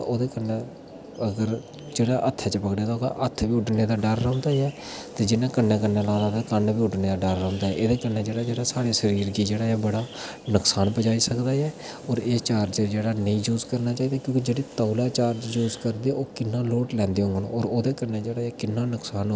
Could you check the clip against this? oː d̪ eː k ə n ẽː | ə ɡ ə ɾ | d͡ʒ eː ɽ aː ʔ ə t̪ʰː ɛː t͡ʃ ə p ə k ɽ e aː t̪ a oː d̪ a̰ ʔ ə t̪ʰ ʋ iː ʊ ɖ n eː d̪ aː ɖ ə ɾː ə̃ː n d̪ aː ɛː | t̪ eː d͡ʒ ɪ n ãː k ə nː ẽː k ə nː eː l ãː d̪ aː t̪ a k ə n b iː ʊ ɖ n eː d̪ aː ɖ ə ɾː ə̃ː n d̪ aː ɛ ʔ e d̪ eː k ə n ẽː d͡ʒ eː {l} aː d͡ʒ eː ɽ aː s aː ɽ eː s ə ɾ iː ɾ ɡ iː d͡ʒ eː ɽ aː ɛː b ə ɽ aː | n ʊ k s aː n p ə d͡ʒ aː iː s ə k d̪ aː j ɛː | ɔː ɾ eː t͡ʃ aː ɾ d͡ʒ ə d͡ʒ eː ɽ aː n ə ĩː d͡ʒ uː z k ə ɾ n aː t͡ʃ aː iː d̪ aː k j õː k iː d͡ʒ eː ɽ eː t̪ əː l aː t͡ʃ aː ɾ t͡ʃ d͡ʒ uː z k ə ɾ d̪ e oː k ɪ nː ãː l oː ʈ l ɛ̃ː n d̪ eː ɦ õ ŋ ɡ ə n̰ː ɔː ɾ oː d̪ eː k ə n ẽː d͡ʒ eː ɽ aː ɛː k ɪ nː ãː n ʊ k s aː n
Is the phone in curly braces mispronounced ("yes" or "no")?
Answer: yes